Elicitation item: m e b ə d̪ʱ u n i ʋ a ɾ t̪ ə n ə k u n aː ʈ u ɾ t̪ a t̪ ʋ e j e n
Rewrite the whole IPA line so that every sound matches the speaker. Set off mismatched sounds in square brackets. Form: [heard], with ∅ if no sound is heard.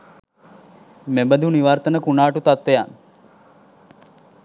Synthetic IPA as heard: m e b ə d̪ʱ u n i ʋ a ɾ t̪ ə n ə k u n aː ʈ u [∅] t̪ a t̪ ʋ e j [a] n